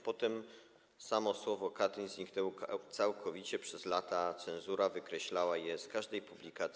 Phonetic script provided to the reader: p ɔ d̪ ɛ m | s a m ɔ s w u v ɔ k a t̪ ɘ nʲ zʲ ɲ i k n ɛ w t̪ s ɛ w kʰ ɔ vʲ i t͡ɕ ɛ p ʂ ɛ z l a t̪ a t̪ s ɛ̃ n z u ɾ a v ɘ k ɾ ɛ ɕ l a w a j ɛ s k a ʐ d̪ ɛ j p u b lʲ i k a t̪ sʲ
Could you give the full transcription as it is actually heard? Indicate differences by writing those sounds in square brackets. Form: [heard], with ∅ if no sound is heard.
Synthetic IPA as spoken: p ɔ [t̪] ɛ m | s a m ɔ s w [ɔ] v ɔ k a t̪ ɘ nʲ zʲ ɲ i k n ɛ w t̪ s [a] w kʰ ɔ vʲ i t͡ɕ ɛ p ʂ ɛ z l a t̪ a t̪ s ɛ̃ n z u ɾ a v ɘ k ɾ ɛ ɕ l a w a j ɛ s k a ʐ d̪ ɛ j p u b lʲ i k a t̪ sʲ